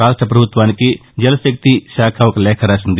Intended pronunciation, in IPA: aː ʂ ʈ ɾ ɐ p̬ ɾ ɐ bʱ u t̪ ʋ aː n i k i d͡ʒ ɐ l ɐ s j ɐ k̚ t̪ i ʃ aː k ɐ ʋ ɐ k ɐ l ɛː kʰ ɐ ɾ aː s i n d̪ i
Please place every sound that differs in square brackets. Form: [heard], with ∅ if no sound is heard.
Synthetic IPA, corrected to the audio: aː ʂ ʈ ɾ ɐ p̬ ɾ ɐ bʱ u t̪ ʋ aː n i k i d͡ʒ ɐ l ɐ s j ɐ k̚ t̪ i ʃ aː [kʰ] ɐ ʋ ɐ k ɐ l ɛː kʰ ɐ ɾ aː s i n d̪ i